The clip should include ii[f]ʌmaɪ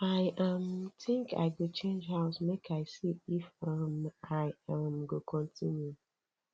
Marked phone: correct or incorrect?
correct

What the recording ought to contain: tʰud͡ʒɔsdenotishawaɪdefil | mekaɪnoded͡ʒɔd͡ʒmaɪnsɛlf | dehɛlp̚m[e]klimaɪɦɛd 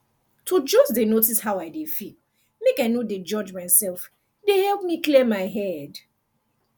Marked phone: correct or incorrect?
incorrect: i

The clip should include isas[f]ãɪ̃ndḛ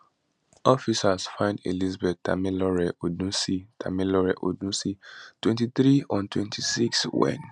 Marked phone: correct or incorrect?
correct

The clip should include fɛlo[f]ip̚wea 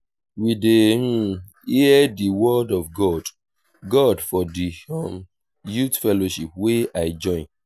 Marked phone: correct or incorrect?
incorrect: ʃ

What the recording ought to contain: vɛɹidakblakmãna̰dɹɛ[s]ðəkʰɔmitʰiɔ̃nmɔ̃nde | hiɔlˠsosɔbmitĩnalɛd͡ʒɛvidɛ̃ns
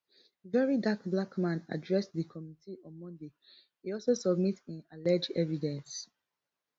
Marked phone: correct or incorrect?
correct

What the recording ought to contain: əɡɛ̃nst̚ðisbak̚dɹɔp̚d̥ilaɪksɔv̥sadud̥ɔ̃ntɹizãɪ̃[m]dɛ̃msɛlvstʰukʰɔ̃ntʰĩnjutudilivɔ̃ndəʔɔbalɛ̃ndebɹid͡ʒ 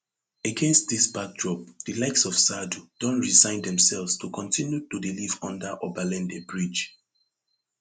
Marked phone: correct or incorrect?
incorrect: n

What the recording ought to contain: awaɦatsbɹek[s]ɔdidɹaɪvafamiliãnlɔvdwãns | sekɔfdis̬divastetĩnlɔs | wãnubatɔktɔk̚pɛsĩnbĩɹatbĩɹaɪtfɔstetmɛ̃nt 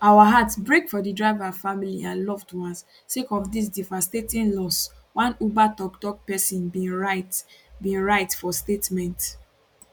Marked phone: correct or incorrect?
incorrect: f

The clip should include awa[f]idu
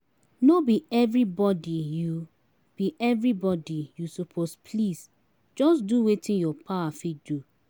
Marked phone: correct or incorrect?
correct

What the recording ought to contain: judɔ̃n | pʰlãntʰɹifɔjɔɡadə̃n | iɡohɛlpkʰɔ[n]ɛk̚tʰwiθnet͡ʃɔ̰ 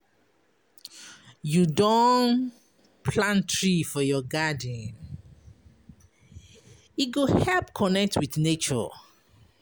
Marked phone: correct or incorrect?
correct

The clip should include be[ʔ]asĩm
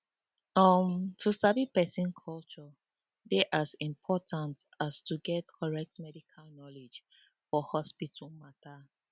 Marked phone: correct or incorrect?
correct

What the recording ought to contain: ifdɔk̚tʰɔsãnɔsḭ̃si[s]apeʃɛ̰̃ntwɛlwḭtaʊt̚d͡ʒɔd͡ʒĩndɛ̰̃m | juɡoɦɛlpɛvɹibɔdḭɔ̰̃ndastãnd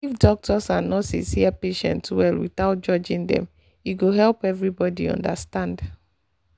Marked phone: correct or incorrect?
incorrect: none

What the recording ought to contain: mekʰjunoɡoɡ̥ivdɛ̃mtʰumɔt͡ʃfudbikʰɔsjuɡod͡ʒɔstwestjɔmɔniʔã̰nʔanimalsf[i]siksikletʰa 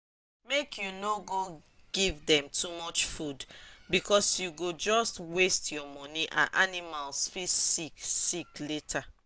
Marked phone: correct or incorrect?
correct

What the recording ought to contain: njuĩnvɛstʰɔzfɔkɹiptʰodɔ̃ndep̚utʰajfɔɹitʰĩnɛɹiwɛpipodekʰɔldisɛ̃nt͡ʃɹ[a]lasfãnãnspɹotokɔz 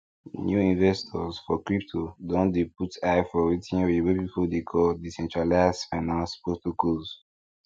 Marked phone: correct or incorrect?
correct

